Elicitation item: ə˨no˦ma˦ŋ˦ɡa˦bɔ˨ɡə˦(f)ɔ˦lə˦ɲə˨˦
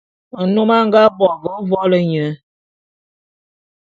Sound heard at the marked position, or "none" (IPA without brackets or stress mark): v